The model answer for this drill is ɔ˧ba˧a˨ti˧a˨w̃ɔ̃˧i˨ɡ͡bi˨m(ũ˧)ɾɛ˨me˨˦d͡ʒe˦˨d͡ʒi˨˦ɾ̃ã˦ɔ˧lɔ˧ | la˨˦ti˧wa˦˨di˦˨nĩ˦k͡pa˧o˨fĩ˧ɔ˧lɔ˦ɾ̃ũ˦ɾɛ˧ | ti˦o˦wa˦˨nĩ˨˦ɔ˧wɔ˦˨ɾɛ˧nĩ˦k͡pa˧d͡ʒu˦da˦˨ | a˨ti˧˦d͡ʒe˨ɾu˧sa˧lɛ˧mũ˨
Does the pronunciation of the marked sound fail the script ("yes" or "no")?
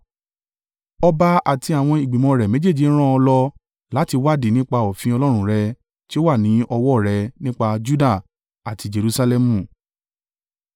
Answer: yes